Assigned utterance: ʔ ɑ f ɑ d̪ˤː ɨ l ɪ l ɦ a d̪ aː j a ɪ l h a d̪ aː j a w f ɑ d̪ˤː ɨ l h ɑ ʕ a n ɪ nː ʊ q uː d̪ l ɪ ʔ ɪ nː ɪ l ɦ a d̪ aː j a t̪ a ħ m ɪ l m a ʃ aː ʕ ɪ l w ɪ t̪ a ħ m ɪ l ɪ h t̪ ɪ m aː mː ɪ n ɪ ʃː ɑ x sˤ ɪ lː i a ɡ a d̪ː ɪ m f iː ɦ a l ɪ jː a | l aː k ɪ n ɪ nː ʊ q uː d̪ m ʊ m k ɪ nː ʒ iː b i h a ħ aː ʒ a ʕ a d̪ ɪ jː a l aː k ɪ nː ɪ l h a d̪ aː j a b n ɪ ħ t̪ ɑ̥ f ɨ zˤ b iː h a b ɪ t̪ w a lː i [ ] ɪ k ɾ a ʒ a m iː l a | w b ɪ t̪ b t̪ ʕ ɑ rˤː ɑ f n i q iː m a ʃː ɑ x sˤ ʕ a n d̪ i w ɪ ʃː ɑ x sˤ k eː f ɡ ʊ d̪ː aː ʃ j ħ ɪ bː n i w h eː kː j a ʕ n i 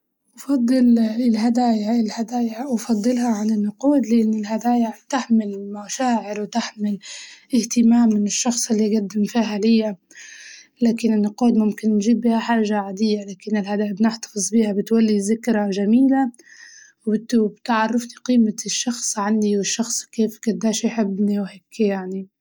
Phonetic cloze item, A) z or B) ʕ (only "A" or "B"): A